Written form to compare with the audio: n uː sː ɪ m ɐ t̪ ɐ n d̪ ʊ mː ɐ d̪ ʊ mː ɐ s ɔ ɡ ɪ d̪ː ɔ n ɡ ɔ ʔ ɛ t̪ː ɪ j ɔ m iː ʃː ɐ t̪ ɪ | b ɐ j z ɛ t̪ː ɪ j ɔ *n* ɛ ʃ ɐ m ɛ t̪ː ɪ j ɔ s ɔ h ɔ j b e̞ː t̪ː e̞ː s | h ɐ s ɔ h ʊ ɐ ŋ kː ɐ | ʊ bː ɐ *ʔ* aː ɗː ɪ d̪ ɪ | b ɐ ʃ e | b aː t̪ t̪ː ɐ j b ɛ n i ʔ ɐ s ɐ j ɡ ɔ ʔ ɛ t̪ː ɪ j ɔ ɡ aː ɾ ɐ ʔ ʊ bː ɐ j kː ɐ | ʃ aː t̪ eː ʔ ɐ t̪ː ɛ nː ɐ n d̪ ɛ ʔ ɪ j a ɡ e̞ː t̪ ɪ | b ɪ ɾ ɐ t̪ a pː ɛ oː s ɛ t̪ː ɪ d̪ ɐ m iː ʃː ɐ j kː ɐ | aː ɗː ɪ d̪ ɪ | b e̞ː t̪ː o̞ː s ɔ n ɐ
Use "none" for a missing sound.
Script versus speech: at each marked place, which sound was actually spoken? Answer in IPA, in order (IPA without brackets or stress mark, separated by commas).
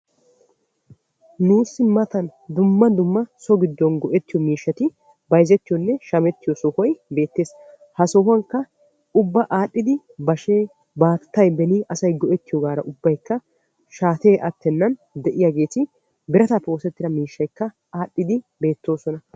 nː, ʔ